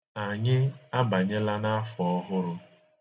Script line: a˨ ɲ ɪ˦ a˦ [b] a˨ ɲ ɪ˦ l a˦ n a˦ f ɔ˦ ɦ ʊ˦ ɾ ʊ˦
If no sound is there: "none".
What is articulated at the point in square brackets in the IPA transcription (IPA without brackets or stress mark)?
b